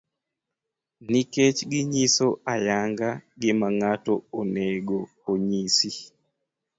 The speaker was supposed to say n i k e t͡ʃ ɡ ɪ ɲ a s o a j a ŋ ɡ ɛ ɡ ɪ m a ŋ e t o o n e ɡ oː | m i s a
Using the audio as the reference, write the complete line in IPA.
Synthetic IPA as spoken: n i k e t͡ʃ ɡ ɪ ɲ i s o a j a ŋ ɡ a ɡ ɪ m a ŋ a t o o n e ɡ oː | ɲ i s i